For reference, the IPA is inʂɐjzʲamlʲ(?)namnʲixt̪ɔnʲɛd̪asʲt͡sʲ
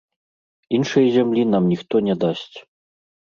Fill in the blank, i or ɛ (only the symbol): i